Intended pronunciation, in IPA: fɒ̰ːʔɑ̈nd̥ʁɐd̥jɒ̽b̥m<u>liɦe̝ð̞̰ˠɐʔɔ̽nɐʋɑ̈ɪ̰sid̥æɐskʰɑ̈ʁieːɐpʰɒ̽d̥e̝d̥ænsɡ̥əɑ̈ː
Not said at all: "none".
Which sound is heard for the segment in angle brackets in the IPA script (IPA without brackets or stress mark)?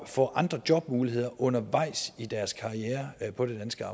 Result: uː